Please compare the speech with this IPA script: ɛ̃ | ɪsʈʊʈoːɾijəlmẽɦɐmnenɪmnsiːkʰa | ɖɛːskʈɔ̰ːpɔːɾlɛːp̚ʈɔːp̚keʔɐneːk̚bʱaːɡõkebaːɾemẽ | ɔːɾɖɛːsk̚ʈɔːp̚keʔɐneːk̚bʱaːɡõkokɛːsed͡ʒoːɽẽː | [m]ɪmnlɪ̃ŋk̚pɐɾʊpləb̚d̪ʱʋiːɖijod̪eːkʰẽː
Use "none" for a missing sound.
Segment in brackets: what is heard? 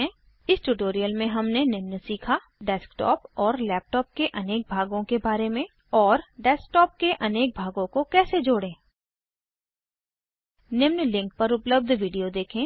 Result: n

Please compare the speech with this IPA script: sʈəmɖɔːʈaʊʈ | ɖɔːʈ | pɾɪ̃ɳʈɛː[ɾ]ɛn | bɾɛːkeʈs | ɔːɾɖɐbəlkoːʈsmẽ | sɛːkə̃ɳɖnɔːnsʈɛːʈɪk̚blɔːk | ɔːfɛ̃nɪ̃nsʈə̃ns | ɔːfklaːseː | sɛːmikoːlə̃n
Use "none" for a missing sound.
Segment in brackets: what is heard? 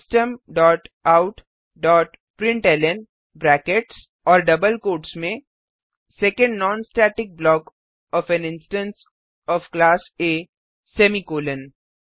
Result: l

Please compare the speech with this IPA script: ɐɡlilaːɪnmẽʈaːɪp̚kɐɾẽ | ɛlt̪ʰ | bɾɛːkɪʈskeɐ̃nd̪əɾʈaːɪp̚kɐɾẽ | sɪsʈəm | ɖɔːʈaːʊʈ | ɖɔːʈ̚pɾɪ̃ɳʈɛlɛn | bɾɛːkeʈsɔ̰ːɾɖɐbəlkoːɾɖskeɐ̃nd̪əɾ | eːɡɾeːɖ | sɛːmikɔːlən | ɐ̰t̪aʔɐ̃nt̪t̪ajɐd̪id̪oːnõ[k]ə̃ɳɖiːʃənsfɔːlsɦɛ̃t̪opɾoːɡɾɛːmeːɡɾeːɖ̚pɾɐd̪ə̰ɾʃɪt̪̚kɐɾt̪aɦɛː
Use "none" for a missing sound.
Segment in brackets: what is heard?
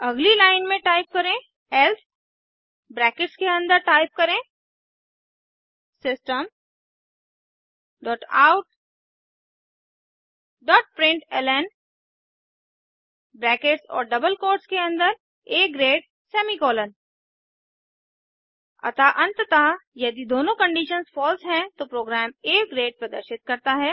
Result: k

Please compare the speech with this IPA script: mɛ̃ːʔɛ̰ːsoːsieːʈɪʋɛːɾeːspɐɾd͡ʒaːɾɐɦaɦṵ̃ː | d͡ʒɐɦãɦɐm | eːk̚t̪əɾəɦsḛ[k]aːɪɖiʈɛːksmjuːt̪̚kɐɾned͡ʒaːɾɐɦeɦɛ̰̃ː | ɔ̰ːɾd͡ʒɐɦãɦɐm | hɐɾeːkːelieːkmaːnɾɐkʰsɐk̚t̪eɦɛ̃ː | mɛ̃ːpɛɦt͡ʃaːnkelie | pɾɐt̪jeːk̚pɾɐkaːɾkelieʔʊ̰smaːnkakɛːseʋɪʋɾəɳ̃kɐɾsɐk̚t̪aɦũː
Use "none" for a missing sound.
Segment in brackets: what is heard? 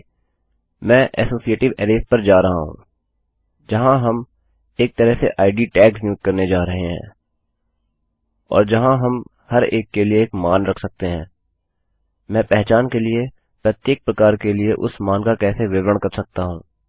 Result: ʔ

